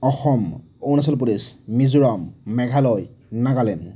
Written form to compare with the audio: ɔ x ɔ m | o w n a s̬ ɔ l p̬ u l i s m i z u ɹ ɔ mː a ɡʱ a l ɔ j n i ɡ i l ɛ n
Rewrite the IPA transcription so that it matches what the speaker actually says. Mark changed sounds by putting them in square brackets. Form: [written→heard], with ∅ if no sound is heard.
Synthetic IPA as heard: ɔ x ɔ m | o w n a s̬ ɔ l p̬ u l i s m i z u ɹ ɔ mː [a→ɛ] ɡʱ a l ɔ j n [i→a] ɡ [i→a] l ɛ n